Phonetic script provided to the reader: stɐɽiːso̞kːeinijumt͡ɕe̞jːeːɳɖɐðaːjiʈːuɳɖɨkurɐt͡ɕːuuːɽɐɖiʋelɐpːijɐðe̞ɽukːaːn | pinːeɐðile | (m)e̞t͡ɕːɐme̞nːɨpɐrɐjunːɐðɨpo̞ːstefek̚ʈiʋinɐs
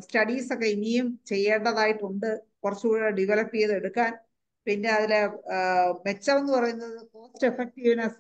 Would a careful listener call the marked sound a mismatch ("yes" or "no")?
no